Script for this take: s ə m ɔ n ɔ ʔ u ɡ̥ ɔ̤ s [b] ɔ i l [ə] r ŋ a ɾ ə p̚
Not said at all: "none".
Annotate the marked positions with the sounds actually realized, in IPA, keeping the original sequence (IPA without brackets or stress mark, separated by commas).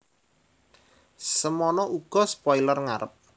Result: p, ə